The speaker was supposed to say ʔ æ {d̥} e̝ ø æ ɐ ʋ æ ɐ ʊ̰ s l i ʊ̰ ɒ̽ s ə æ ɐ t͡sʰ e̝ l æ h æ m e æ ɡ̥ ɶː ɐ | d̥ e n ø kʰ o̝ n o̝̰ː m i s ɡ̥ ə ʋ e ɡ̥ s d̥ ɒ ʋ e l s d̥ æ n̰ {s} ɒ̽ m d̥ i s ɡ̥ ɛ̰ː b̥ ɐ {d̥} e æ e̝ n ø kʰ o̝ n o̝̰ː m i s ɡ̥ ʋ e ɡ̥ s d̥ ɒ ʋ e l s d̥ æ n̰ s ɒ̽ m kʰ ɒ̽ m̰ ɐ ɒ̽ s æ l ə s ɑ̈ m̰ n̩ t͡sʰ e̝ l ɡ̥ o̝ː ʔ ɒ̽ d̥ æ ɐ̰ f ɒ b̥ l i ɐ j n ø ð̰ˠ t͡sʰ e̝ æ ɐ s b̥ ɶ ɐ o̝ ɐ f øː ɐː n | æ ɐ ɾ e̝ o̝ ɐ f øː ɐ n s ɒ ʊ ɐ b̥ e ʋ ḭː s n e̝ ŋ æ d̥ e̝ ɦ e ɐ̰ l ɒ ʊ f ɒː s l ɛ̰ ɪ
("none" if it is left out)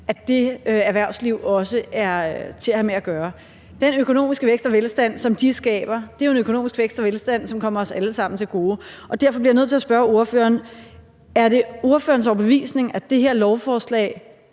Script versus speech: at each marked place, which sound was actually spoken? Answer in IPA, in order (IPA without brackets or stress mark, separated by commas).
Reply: d̥, s, d̥